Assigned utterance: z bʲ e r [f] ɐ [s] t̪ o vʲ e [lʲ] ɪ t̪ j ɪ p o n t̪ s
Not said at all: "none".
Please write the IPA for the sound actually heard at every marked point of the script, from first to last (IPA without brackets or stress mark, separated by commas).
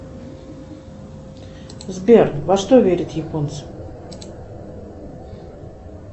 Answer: v, ʂ, ɾʲ